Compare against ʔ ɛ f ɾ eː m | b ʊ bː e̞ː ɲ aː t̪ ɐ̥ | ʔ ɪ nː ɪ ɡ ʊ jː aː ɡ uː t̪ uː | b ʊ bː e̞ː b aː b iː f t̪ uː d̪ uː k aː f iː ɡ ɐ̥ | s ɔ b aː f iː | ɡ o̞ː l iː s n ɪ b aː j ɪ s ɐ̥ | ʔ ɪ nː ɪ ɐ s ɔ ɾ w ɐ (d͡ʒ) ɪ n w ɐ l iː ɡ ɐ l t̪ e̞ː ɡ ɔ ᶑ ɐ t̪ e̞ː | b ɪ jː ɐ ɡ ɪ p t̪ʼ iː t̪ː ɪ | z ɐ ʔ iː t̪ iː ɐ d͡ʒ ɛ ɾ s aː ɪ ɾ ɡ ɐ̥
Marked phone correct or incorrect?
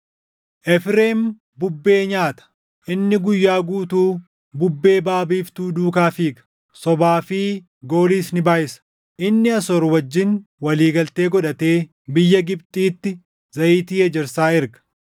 incorrect